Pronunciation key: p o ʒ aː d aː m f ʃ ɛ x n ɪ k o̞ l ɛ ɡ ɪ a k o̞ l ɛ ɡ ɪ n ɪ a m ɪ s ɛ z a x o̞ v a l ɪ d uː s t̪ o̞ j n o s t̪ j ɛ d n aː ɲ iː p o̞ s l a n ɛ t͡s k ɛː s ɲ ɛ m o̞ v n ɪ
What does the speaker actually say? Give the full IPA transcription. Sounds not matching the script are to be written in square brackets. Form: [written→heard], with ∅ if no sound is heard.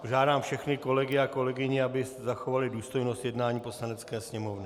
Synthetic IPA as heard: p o ʒ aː d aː m f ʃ ɛ x n ɪ k o̞ l ɛ ɡ ɪ a k o̞ l ɛ ɡ ɪ [n→ɲ] ɪ a [m→b] ɪ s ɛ z a x o̞ v a l ɪ d uː s t̪ o̞ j n o s t̪ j ɛ d n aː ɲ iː p o̞ s l a n ɛ t͡s k ɛː s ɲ ɛ m o̞ v n ɪ

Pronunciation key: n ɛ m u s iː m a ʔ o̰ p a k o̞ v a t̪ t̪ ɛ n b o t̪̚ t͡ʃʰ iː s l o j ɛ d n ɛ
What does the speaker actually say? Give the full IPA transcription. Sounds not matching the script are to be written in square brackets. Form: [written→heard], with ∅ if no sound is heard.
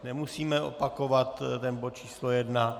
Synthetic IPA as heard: n ɛ m u s iː m [a→ɛ] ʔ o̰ p a k o̞ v a t̪ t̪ ɛ n b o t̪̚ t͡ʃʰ iː s l o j ɛ d n [ɛ→a]

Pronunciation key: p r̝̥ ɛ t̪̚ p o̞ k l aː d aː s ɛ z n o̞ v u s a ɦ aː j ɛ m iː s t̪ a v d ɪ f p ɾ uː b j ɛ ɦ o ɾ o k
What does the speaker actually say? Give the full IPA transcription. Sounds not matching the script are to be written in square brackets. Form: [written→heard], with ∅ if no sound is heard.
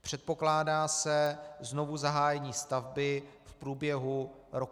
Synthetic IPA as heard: p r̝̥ ɛ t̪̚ p o̞ k l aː d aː s ɛ z n o̞ v u [s→z] a ɦ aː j ɛ [m→ɲ] iː s t̪ a v [d→b] ɪ f p ɾ uː b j ɛ ɦ [o→u] ɾ o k

